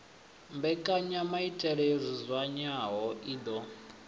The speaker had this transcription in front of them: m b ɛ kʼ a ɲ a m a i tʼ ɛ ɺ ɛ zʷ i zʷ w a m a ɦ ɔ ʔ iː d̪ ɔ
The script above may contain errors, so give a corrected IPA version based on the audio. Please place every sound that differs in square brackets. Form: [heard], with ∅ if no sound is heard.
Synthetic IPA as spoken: m b ɛ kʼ a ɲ a m a i tʼ ɛ ɺ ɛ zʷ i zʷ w a [ɲ] a ɦ ɔ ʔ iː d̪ ɔ